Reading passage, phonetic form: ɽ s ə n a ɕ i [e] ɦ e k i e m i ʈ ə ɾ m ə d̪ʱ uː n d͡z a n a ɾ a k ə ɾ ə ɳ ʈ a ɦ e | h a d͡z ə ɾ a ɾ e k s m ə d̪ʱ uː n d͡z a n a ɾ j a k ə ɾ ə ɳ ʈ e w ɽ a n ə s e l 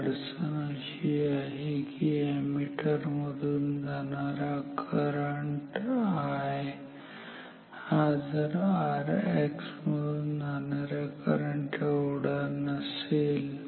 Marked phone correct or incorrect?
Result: incorrect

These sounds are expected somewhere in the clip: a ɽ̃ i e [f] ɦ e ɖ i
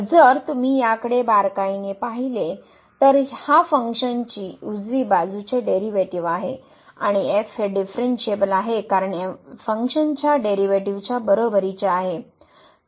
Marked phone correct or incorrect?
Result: correct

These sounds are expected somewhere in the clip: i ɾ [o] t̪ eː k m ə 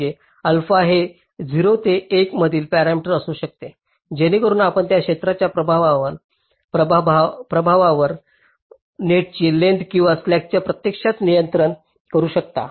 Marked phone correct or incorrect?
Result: correct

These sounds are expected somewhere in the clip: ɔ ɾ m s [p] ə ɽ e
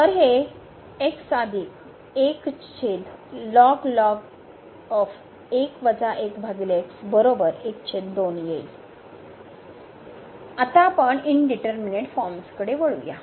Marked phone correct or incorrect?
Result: incorrect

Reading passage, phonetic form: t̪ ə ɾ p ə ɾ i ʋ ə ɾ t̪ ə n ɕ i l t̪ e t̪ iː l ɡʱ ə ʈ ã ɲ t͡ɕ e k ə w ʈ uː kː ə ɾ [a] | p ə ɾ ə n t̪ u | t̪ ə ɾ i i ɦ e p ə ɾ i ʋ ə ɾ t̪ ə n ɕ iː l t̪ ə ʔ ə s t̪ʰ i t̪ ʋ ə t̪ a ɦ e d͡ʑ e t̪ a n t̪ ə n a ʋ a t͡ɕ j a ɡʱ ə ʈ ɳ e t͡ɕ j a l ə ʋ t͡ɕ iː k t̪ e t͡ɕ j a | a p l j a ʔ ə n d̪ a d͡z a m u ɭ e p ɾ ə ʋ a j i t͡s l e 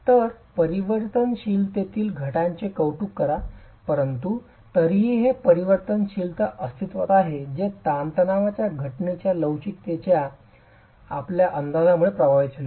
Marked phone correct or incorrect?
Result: correct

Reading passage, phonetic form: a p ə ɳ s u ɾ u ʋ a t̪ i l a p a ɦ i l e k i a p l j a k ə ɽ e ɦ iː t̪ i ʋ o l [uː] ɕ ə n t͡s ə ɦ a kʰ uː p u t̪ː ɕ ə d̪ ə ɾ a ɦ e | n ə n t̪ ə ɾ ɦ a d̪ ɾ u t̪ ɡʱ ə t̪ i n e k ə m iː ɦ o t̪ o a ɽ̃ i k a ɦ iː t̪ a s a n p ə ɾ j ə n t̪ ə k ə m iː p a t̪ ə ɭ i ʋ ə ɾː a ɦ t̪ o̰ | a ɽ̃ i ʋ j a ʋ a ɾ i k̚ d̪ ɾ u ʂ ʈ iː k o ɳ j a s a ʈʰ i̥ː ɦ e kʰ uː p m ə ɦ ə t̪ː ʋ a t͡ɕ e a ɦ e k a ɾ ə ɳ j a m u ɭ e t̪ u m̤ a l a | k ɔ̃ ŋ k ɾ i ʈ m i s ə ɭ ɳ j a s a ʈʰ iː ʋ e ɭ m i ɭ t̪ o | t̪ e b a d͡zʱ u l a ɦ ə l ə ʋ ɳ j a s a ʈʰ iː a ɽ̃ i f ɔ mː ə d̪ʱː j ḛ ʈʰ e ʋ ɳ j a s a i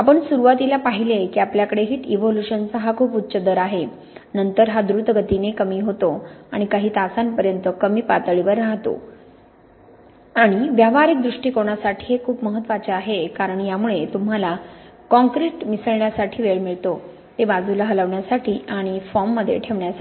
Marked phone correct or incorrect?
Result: incorrect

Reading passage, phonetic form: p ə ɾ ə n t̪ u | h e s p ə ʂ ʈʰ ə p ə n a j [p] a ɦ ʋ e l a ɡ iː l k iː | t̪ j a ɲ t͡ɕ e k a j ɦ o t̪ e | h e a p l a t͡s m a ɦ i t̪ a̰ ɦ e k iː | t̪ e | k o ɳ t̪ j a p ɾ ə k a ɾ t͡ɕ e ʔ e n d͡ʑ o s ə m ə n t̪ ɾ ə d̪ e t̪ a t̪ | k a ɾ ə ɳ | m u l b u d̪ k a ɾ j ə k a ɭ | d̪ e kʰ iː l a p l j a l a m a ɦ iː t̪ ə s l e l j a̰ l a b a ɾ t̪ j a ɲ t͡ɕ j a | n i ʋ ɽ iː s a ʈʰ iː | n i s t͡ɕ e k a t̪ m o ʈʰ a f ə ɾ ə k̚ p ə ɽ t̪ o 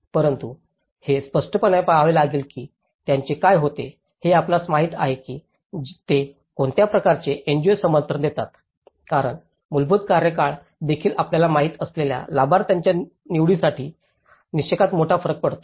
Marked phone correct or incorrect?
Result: correct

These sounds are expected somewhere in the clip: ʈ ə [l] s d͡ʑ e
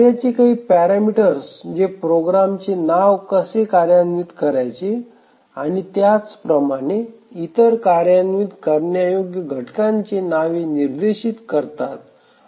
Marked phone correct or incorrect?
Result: incorrect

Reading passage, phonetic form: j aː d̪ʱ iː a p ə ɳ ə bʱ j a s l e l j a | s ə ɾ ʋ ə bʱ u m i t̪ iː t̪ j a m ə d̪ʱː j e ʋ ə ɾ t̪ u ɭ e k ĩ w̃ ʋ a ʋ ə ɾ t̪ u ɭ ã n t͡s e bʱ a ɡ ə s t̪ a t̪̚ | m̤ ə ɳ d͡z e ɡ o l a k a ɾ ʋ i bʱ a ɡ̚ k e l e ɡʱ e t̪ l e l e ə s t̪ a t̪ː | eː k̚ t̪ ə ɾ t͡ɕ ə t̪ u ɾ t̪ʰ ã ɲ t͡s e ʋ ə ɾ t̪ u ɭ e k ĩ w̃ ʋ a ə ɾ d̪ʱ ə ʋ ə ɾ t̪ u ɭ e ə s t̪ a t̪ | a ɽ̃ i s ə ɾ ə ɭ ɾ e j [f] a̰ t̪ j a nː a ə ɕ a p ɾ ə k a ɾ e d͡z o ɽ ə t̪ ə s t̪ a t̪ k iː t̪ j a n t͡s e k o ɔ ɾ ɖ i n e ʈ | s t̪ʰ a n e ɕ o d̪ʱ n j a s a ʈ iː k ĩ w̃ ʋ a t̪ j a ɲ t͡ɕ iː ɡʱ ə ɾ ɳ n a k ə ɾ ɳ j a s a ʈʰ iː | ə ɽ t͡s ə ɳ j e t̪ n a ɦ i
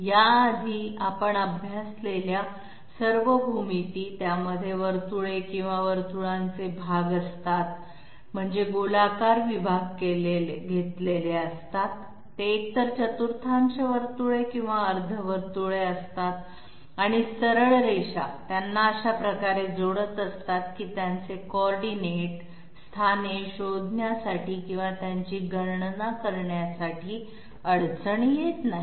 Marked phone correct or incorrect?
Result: incorrect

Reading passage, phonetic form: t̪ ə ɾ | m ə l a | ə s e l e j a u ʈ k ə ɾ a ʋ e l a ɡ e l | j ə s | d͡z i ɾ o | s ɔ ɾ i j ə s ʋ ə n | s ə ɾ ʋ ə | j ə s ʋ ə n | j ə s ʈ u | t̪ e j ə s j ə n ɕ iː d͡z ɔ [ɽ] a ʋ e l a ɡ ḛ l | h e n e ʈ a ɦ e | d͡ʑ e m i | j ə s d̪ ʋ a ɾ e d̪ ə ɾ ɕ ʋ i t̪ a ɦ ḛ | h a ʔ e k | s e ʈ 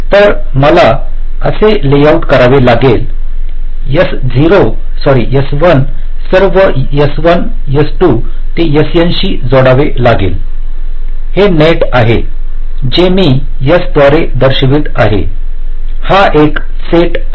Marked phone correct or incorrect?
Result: correct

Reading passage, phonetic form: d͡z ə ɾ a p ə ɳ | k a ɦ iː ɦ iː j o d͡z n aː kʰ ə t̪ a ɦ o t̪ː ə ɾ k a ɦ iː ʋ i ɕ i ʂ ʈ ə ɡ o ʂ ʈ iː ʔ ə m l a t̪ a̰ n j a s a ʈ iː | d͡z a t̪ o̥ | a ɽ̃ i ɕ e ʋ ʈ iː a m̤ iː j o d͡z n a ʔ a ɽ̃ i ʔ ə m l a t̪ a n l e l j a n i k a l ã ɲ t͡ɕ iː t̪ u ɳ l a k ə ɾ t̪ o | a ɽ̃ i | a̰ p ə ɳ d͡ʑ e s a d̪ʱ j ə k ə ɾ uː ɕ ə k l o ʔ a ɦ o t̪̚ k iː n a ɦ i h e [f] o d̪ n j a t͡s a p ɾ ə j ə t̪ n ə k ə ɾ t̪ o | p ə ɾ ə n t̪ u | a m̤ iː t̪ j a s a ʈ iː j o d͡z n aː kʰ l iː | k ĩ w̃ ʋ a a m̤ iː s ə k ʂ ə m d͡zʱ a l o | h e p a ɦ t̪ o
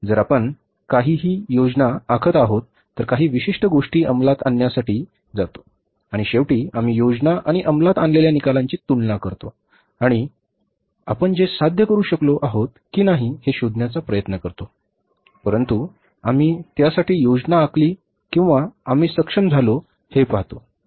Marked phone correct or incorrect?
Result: incorrect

